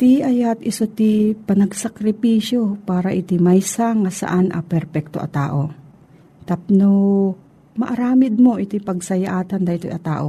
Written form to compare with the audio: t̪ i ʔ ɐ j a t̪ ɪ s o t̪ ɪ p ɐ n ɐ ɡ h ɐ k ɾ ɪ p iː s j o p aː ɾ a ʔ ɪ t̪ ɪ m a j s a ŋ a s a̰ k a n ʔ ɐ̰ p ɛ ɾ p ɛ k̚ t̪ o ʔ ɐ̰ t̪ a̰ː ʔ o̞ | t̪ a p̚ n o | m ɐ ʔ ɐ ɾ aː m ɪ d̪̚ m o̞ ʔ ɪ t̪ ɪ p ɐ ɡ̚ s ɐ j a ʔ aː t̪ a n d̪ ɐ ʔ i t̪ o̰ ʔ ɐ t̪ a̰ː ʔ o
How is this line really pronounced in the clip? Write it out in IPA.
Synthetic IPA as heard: t̪ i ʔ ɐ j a t̪ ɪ s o t̪ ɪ p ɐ n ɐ ɡ s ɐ k ɾ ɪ p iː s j o p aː ɾ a ʔ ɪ t̪ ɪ m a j s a ŋ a s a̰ ʔ a n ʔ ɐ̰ p ɛ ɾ p ɛ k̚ t̪ o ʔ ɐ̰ t̪ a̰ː ʔ o̞ | t̪ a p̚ n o | m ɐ ʔ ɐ ɾ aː m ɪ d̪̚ m o̞ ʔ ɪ t̪ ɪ p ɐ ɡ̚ s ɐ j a ʔ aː t̪ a n d̪ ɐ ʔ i t̪ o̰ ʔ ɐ t̪ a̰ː ʔ o